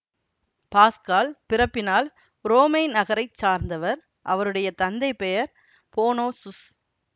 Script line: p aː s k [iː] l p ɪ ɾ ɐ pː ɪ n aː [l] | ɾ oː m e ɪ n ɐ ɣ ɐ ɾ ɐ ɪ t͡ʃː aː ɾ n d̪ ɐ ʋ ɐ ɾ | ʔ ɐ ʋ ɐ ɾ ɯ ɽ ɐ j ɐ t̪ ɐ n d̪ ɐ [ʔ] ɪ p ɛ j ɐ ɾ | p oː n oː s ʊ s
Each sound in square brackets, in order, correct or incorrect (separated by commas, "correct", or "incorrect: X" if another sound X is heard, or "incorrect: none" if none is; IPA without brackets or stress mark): incorrect: aː, correct, incorrect: none